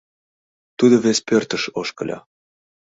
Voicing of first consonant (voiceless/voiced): voiceless